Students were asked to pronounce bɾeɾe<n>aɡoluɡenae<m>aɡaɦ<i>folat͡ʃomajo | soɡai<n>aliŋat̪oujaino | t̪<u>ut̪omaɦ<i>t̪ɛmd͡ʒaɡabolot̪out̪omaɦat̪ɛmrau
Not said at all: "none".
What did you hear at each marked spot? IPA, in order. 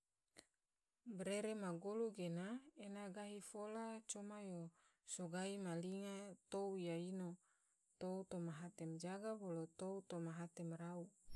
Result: m, n, i, m, o, a

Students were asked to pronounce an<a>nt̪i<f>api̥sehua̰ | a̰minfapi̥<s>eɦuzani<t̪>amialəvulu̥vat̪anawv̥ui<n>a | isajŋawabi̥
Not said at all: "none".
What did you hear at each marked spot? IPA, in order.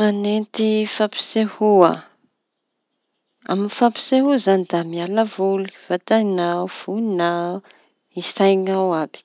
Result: e, f, s, d̪, n

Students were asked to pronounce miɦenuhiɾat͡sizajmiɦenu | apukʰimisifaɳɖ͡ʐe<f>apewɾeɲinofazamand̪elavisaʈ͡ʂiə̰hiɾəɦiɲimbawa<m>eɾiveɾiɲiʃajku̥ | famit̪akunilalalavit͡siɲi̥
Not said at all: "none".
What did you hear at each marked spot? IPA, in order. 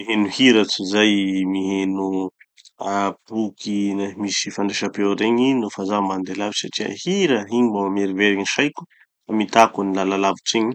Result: ʃ, m

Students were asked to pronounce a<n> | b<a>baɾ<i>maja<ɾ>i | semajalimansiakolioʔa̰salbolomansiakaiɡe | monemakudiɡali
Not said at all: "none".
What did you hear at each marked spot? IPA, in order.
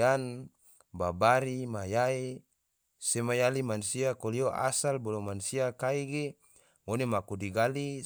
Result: n, a, i, none

